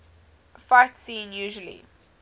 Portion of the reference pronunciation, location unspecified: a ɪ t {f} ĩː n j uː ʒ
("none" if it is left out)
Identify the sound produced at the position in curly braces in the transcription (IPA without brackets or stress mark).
s